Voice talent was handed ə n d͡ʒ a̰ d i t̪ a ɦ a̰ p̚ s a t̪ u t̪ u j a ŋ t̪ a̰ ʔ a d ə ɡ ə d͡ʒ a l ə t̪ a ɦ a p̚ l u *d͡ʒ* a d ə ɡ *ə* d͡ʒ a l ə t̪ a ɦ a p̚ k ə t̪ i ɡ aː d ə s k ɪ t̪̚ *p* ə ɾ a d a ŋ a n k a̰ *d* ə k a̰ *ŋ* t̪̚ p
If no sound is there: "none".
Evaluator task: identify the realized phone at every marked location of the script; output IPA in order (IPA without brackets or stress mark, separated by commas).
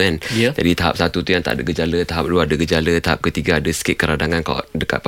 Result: none, ə, k, d, none